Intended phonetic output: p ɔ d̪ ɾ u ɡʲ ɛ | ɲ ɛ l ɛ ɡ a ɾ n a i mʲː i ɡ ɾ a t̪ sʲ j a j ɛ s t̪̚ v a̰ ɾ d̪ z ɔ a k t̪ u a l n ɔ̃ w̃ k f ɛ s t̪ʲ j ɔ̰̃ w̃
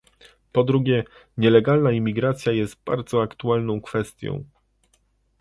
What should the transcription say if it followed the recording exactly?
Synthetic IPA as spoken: p ɔ d̪ ɾ u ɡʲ ɛ | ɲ ɛ l ɛ ɡ a l n a i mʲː i ɡ ɾ a t̪ sʲ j a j ɛ s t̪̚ b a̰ ɾ d̪ z ɔ a k t̪ u a l n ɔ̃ w̃ k f ɛ s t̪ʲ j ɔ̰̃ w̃